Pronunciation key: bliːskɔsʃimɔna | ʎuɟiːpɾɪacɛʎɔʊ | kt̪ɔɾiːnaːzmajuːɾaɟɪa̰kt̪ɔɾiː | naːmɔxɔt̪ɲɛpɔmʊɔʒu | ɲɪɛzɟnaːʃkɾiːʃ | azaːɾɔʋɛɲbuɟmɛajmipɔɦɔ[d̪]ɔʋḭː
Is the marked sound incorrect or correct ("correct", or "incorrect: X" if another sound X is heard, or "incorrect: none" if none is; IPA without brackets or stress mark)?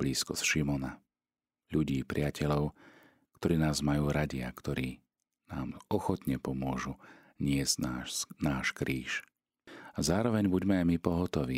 incorrect: t̪